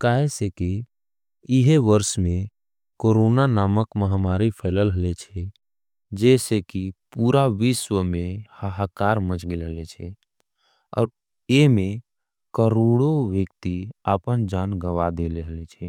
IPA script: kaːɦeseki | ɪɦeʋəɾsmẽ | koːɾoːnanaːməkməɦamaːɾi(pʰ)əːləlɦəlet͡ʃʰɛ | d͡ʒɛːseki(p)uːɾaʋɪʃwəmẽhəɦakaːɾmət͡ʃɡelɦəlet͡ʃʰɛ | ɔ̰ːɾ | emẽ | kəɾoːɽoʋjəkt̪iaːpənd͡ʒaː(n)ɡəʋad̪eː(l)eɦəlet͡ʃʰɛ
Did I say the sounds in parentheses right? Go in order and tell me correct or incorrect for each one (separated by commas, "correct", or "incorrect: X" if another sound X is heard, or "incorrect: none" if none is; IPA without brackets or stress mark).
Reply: correct, correct, correct, correct